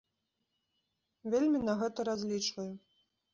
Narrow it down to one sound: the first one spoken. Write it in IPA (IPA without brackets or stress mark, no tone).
vʲ